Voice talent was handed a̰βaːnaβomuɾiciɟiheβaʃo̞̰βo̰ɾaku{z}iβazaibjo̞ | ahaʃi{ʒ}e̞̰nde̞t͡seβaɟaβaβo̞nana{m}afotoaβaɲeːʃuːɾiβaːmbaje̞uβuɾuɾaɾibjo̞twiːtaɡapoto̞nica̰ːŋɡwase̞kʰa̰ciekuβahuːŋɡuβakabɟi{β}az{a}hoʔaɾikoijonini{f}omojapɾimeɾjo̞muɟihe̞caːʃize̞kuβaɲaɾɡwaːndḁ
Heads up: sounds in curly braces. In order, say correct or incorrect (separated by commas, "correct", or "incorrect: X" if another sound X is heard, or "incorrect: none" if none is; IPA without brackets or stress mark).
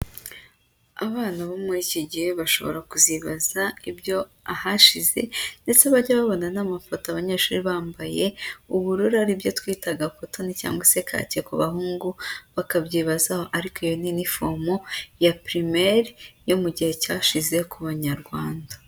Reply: correct, incorrect: z, correct, correct, correct, correct